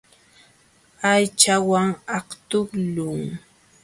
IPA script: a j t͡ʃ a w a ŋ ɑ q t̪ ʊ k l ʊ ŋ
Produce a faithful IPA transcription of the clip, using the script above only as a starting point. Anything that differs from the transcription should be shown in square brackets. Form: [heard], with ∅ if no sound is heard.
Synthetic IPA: a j t͡ʃ a w a ŋ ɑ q t̪ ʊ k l ʊ ŋ